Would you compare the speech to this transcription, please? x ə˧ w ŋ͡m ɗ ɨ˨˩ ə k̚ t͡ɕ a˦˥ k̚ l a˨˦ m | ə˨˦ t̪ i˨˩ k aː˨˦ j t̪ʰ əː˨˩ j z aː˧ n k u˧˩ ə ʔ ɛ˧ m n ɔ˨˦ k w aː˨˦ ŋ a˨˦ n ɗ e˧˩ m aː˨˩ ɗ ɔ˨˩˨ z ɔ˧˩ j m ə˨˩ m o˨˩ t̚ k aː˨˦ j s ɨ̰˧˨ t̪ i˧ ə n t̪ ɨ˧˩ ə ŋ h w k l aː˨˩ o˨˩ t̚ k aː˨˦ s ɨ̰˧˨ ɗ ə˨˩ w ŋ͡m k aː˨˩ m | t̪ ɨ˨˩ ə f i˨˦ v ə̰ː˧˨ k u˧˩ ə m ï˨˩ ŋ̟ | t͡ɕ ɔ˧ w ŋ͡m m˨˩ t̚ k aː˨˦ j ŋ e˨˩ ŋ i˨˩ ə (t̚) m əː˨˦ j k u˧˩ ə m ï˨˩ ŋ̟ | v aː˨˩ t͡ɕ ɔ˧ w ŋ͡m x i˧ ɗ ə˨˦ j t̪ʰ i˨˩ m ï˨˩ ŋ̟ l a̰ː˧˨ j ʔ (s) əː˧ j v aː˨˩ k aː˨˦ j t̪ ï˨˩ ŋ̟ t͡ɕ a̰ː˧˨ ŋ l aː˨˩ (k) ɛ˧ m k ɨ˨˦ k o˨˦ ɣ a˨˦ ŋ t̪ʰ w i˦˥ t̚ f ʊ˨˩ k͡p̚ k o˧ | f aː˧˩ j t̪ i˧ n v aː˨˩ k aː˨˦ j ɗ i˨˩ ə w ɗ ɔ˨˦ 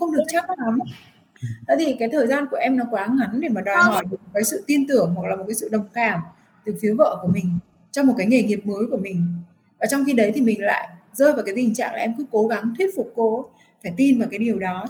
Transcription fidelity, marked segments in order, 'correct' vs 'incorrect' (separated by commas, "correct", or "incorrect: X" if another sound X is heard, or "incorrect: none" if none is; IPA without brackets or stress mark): incorrect: p̚, incorrect: z, incorrect: ʔ